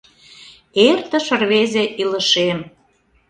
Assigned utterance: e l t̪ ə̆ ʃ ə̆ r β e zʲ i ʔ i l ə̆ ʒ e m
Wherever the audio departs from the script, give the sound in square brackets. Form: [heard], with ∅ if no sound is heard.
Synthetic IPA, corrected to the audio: e [r] t̪ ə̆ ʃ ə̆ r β e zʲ [e] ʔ i l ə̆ [ʃ] e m